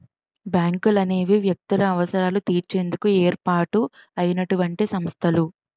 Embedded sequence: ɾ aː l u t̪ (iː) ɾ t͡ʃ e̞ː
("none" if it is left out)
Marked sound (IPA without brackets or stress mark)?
iː